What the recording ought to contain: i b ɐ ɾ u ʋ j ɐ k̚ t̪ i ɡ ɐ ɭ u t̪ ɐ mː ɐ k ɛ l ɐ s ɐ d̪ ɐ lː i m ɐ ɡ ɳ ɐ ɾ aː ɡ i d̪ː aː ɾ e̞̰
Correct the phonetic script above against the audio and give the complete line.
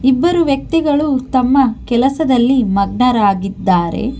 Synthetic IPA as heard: i bː ɐ ɾ u ʋ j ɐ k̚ t̪ i ɡ ɐ ɭ u t̪ ɐ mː ɐ k ɛ l ɐ s ɐ d̪ ɐ lː i m ɐ ɡ ɳ ɐ ɾ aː ɡ i d̪ː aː ɾ e̞̰